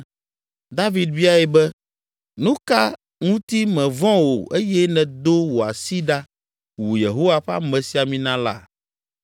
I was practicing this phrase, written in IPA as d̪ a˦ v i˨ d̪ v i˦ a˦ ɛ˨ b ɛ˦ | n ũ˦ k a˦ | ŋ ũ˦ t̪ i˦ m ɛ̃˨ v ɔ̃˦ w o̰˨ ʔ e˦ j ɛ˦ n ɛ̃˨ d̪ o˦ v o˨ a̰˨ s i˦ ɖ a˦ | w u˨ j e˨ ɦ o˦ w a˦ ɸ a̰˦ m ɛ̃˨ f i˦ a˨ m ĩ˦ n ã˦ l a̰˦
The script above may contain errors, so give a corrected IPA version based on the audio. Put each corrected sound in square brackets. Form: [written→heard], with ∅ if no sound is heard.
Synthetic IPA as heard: d̪ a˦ v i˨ d̪ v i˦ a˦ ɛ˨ b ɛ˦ | n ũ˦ k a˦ | ŋ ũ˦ t̪ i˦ m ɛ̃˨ v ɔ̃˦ w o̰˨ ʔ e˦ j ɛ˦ n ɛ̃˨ d̪ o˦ [v→w] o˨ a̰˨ s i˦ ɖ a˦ | w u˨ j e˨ ɦ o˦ w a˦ ɸ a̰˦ m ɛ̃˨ [f→s] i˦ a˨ m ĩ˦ n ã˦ l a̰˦

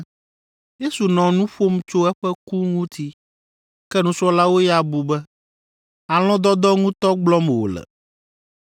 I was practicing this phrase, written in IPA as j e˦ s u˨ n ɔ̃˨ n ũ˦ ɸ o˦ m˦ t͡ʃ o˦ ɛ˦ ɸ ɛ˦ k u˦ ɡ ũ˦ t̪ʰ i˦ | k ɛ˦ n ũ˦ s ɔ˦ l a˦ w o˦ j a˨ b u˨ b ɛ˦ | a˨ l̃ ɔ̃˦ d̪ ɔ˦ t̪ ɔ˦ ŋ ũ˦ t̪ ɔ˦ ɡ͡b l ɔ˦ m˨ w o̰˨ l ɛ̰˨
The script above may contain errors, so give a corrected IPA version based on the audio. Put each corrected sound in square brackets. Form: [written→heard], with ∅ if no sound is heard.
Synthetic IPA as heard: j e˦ s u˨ n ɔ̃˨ n ũ˦ ɸ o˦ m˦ t͡ʃ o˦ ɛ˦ ɸ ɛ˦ k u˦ [ɡ→ŋ] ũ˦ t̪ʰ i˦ | k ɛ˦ n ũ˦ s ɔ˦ l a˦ w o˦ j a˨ b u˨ b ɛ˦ | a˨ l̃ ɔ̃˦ d̪ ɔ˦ [t̪→d̪] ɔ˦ ŋ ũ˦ t̪ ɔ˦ ɡ͡b l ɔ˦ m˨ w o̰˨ l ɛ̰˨

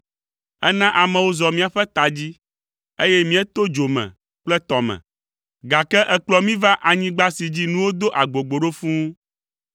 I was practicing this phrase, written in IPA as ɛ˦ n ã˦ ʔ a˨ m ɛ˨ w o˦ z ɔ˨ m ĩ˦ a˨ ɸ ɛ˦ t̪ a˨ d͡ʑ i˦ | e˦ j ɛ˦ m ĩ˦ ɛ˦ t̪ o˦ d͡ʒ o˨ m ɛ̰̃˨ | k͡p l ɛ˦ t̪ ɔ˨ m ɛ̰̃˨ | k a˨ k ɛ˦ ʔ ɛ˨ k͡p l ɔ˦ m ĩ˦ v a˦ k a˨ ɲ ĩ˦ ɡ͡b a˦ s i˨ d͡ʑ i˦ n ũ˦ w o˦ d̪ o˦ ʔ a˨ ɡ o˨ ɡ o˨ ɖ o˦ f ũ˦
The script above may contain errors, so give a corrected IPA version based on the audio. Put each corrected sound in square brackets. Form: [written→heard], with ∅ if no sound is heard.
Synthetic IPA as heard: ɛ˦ n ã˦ ʔ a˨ m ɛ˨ w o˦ z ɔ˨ m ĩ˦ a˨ ɸ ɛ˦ t̪ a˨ d͡ʑ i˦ | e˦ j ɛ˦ m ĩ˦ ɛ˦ t̪ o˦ d͡ʒ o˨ m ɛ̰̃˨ | k͡p l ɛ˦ t̪ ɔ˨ m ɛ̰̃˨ | [k→ɡ] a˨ k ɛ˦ ʔ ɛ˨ k͡p l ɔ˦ m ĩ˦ v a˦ [k→ʔ] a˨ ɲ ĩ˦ ɡ͡b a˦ s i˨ d͡ʑ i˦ n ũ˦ w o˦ d̪ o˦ ʔ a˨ [ɡ→ɡ͡b] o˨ [ɡ→ɡ͡b] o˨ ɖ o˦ f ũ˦

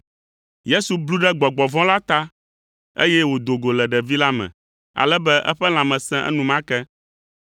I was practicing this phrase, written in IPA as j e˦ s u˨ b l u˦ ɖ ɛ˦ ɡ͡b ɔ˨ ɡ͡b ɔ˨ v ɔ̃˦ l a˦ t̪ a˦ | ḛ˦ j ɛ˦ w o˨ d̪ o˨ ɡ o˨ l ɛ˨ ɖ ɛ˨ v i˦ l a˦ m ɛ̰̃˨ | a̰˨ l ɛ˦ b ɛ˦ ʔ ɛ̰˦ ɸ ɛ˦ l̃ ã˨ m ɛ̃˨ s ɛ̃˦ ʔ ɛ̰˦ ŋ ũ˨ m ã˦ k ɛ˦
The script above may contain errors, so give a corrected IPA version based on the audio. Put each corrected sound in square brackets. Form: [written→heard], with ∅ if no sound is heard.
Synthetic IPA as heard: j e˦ s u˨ b l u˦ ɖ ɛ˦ ɡ͡b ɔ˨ ɡ͡b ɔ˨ v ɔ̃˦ l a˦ t̪ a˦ | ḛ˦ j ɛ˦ w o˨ d̪ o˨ ɡ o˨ l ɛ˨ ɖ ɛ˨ v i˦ l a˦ m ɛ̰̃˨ | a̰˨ l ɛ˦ b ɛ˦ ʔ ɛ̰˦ ɸ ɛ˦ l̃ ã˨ m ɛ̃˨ s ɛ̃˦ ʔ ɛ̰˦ [ŋ→n] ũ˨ m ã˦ k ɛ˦

